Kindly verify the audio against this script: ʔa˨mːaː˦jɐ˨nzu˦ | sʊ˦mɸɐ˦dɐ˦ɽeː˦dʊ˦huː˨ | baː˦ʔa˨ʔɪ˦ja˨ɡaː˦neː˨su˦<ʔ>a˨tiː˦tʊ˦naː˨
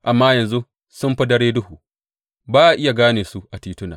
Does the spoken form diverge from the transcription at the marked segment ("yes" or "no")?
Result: no